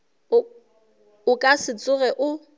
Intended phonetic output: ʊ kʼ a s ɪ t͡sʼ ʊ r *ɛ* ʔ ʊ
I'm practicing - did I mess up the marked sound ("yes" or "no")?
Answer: no